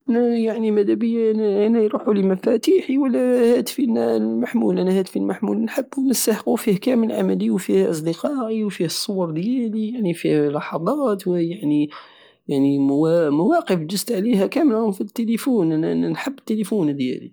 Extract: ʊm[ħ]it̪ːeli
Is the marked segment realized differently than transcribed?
yes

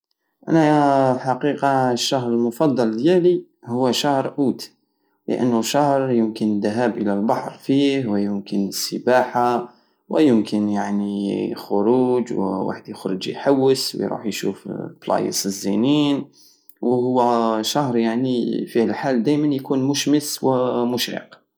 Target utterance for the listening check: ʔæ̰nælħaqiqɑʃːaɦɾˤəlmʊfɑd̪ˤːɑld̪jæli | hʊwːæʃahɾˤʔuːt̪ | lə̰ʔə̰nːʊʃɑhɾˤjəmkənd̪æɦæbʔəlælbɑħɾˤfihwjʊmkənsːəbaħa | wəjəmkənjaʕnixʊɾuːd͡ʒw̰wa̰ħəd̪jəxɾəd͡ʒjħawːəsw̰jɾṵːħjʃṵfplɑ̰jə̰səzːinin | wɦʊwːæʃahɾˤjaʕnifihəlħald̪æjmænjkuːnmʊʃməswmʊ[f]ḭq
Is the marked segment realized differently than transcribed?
yes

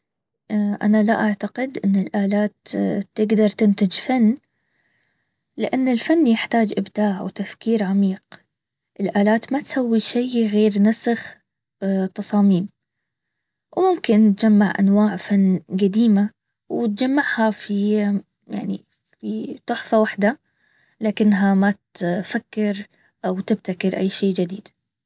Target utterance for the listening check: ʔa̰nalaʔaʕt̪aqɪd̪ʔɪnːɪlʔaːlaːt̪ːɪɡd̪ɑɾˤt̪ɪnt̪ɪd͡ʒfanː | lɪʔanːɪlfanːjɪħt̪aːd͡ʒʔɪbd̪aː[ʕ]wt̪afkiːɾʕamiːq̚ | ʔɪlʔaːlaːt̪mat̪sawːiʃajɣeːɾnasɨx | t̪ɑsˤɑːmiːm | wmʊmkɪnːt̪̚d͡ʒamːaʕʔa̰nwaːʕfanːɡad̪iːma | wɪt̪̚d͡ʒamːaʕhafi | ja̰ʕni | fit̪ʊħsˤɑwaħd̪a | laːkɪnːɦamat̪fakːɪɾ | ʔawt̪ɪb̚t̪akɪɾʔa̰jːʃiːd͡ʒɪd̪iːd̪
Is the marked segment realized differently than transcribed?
no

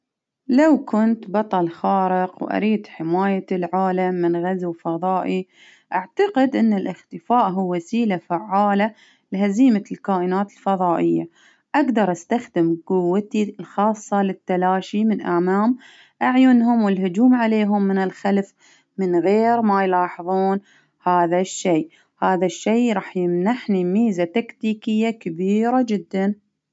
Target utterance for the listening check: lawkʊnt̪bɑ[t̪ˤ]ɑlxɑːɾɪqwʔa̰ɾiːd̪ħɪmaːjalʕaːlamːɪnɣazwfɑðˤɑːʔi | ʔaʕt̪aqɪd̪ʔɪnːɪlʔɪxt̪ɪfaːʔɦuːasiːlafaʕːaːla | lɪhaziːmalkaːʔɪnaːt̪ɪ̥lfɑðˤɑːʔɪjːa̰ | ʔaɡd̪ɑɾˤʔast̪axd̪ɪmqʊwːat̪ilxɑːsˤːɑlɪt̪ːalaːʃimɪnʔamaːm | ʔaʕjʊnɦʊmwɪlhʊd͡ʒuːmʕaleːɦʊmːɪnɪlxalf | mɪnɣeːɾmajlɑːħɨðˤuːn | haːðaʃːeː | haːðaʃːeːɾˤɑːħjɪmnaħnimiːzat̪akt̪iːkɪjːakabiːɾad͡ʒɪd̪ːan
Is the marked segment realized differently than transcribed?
no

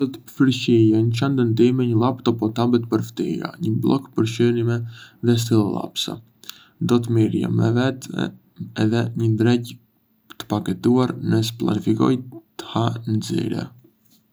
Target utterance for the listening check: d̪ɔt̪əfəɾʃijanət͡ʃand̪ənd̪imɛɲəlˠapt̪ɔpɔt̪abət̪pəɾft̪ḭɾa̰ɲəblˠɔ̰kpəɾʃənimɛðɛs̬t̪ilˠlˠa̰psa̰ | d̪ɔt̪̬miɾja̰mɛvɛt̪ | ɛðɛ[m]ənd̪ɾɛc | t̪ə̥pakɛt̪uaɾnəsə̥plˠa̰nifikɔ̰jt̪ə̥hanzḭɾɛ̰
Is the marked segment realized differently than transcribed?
yes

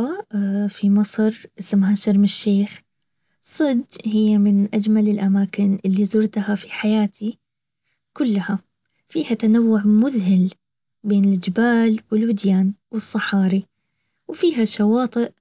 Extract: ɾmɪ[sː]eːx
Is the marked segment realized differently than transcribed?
yes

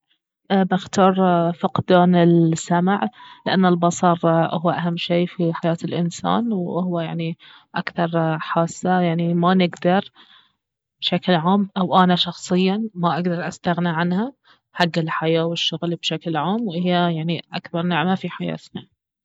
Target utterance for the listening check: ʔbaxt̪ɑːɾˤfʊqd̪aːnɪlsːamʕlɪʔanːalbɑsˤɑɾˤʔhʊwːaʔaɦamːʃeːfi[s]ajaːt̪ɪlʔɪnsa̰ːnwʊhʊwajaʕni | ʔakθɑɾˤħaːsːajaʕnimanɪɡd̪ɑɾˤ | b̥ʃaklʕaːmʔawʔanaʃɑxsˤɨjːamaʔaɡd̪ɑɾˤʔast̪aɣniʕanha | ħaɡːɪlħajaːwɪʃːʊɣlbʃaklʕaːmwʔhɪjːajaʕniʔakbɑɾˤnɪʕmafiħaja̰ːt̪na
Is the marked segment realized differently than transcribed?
yes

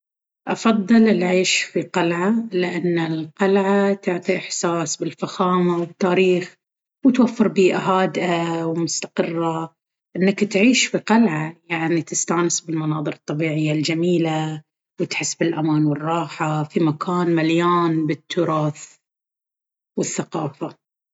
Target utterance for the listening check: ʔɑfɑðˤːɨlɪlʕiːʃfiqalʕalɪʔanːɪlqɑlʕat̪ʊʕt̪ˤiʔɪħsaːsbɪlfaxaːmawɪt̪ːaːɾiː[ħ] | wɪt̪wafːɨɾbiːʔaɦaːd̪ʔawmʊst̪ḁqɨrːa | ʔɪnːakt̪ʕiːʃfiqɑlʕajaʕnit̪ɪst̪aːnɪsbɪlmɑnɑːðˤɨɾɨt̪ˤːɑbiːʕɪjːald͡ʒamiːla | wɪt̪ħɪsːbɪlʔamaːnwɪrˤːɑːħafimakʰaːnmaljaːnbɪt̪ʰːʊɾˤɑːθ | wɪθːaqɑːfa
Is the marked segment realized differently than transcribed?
yes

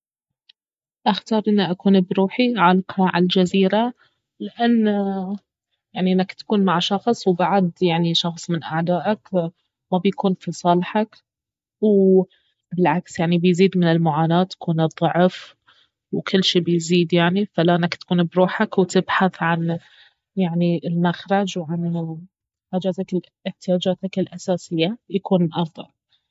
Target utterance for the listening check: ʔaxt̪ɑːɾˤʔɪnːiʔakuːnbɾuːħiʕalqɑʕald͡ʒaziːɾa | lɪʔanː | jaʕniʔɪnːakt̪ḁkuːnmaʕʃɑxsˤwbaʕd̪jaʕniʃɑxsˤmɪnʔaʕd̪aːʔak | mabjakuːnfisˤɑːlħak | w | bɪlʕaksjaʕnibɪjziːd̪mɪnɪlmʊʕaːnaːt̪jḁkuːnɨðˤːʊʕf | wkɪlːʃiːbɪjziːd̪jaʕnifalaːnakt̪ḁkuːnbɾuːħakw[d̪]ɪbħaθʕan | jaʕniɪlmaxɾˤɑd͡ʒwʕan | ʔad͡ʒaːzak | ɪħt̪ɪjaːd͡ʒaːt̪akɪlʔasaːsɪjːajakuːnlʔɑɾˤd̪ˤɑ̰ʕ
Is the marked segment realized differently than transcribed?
yes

